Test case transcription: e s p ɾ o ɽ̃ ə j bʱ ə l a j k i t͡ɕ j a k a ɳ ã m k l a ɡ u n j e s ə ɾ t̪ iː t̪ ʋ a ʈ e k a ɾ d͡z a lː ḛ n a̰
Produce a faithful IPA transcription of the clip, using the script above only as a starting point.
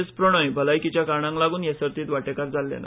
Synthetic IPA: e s p ɾ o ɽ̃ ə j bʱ ə l a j k i t͡ɕ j a k a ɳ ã ŋ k l a ɡ uː n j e s ə ɾ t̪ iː t̪ ʋ a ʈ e k a ɾ d͡z a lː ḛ n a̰